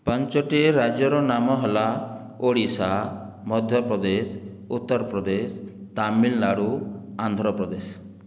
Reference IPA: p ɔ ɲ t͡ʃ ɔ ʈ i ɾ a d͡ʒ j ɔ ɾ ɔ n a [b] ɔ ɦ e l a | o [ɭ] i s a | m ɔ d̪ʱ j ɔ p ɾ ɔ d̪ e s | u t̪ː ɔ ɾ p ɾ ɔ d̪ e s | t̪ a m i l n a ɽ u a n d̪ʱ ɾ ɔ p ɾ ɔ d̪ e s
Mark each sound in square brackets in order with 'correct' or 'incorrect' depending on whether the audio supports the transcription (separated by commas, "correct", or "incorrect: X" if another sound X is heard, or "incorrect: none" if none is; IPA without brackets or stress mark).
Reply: incorrect: m, incorrect: ɽ